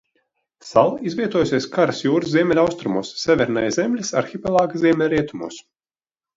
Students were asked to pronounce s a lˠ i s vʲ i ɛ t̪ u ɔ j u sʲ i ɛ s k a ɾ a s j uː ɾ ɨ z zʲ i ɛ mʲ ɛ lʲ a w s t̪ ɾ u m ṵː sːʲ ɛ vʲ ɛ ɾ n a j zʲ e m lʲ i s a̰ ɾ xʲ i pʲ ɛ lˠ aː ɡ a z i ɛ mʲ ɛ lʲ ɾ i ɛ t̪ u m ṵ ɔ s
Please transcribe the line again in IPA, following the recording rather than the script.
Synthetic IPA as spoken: s a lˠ i z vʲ i ɛ t̪ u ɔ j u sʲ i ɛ s k a ɾ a s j uː ɾ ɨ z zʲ i ɛ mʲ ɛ lʲ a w s t̪ ɾ u m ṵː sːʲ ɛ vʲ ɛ ɾ n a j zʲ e m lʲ i s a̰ ɾ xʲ i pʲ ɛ lˠ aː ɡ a z i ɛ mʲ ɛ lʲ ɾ i ɛ t̪ u m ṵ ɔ s